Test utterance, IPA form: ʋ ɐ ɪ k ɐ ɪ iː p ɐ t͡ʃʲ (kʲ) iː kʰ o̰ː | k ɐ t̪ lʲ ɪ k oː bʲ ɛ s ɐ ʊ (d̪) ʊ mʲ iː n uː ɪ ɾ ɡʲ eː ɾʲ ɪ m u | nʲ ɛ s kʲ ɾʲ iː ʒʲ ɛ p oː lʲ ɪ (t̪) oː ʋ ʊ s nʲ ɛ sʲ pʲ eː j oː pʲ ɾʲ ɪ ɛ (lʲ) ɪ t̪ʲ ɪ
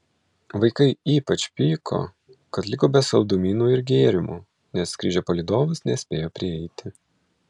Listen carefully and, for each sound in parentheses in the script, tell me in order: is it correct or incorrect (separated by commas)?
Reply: incorrect, correct, incorrect, incorrect